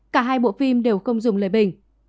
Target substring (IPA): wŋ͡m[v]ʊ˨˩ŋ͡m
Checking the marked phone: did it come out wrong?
yes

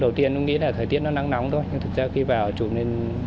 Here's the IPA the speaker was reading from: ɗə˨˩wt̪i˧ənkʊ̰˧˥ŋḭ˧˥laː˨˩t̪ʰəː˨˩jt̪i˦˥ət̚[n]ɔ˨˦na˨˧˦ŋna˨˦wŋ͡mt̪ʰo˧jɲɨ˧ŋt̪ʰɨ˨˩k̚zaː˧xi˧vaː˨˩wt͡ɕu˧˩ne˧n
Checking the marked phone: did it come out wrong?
no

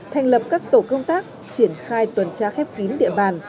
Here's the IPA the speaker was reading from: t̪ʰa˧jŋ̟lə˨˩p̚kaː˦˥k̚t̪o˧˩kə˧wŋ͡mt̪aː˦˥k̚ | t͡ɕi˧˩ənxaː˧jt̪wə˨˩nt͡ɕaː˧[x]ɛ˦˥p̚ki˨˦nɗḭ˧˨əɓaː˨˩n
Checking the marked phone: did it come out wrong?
no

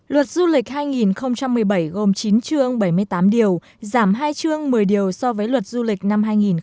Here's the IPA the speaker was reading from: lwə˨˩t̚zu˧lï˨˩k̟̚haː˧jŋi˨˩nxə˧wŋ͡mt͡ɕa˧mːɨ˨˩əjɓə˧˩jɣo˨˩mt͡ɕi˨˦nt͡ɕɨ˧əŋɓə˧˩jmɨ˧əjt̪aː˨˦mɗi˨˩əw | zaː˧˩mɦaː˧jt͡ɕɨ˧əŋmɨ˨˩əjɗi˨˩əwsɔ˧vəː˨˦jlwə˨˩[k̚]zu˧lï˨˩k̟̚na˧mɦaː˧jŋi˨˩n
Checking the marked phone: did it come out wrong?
yes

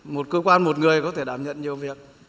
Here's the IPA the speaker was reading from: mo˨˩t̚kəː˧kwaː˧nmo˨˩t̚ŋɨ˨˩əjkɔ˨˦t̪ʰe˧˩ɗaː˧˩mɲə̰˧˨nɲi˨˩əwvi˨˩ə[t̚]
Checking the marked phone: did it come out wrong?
yes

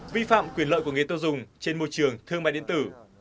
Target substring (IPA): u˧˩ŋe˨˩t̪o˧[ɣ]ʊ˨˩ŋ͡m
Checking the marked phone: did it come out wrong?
yes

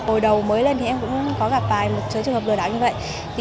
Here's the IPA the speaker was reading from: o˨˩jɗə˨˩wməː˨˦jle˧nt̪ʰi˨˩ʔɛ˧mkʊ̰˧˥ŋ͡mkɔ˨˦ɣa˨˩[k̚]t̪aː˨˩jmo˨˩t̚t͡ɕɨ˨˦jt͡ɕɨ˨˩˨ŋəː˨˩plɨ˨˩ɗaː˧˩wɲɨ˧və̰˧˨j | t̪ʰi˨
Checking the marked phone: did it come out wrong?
yes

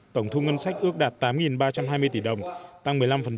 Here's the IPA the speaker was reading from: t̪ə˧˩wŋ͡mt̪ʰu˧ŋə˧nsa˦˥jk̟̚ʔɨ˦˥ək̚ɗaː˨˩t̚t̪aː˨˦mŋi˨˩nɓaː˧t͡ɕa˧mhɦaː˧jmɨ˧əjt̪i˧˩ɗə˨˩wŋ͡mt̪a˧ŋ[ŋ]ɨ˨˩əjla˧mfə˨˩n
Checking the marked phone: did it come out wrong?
yes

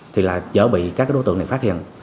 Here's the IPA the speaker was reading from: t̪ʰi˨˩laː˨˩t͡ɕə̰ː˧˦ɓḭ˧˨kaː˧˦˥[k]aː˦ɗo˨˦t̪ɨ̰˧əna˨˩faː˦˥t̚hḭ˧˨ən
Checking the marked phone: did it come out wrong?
no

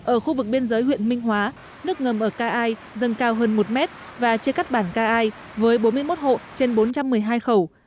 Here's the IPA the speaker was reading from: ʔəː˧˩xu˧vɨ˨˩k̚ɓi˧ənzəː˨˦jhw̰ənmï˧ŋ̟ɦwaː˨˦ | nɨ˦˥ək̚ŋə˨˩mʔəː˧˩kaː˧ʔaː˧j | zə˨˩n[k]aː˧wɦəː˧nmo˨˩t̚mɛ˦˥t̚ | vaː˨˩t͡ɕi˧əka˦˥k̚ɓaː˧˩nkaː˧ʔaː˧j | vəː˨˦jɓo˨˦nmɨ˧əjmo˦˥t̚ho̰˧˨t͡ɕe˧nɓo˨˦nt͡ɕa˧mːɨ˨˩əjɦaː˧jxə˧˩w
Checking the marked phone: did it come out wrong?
no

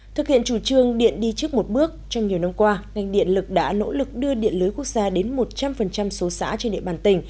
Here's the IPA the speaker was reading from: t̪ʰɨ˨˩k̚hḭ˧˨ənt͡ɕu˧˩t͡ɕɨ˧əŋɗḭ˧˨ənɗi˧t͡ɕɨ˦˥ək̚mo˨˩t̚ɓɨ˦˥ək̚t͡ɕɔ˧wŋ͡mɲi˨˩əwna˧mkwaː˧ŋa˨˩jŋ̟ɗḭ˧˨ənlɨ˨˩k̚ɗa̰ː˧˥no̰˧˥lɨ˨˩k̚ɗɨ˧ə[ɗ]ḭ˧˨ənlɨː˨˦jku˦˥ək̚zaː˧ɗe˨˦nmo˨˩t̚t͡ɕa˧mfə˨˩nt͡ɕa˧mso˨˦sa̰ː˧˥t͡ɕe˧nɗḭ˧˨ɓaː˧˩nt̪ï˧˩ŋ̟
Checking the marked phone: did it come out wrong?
no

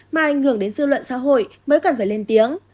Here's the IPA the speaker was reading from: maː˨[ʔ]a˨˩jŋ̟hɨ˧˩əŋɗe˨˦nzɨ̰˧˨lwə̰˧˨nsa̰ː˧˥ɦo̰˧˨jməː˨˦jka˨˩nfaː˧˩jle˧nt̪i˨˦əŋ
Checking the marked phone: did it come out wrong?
no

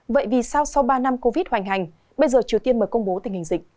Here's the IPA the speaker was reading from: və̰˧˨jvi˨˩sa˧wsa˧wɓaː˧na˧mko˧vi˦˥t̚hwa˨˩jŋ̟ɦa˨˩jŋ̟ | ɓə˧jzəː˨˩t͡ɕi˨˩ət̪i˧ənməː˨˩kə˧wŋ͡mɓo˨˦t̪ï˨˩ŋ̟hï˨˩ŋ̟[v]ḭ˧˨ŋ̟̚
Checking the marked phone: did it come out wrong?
yes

